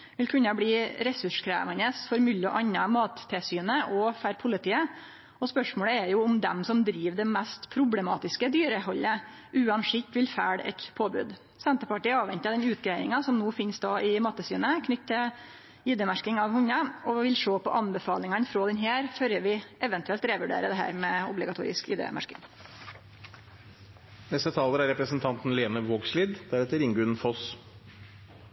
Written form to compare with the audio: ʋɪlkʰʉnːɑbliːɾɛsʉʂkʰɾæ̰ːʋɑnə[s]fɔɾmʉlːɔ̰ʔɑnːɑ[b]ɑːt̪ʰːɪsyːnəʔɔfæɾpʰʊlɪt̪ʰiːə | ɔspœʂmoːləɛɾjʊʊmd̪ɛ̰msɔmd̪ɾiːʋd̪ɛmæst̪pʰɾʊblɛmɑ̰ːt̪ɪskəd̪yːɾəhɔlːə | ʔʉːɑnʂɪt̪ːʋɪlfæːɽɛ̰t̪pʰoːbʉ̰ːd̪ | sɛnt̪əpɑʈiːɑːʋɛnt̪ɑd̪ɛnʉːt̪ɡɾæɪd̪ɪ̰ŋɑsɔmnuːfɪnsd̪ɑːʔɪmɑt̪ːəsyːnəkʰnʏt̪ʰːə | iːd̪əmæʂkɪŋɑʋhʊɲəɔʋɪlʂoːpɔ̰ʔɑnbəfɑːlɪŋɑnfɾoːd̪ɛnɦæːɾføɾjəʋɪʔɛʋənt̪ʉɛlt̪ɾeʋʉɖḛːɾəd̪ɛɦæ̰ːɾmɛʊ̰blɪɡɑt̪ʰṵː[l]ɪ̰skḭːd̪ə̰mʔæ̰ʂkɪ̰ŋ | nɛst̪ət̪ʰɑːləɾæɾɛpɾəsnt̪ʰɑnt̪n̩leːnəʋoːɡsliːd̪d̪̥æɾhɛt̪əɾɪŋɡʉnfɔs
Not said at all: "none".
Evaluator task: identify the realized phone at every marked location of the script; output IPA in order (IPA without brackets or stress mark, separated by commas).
s, m, ɾ